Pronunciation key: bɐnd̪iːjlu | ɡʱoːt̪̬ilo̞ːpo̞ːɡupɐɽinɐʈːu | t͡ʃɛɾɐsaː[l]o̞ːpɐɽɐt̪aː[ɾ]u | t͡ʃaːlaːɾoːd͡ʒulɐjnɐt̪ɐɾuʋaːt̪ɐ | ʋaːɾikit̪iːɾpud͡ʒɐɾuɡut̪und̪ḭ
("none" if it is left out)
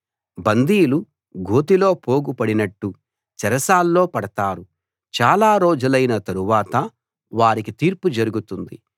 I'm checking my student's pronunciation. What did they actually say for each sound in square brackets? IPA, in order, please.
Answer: lː, ɾ

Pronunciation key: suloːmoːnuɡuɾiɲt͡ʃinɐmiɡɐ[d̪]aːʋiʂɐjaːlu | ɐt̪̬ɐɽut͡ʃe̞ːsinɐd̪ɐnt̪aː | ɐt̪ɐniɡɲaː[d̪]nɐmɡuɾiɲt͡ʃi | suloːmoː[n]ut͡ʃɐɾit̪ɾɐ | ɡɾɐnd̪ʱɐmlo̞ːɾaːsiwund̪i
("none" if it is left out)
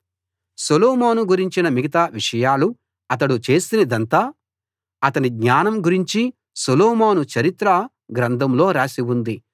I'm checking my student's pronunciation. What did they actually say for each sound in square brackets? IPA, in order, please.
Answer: t̪, none, n

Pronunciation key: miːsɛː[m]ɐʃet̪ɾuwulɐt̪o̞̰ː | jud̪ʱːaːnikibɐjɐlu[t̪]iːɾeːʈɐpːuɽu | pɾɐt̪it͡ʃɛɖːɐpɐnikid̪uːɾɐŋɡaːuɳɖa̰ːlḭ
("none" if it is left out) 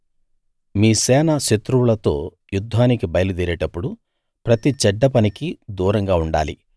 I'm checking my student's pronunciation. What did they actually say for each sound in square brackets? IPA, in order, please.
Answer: n, d̪

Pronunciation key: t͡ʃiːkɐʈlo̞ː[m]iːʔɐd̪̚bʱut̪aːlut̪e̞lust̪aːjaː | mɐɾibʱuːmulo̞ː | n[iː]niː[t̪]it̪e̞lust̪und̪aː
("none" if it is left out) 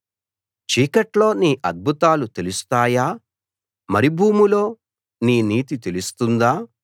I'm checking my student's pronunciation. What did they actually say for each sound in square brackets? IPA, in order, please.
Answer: n, iː, t̪

